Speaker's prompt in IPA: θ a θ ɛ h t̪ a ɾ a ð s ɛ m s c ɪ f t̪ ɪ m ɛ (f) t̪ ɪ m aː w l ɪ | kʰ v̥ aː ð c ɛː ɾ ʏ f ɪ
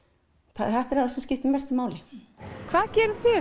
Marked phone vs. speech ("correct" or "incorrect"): incorrect